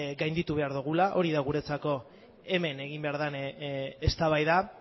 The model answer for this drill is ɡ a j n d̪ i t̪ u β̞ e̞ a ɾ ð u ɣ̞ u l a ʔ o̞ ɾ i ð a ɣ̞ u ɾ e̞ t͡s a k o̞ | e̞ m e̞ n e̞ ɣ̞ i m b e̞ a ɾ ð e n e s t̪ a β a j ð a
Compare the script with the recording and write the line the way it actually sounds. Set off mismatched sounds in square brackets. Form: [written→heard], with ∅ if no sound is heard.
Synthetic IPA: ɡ a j n d̪ i t̪ u β̞ e̞ a ɾ ð u ɣ̞ u l a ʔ o̞ ɾ i ð a ɣ̞ u ɾ e̞ t͡s a k o̞ | e̞ m e̞ n e̞ ɣ̞ i m b e̞ a ɾ ð [e→a] n e s t̪ a β a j ð a